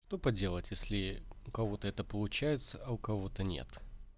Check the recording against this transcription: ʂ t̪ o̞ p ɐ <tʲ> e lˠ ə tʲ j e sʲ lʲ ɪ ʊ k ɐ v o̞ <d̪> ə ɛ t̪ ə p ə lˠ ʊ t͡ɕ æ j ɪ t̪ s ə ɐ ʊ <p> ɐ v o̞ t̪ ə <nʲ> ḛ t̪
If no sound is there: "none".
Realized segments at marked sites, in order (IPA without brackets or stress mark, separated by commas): dʲ, t̪, k, nʲ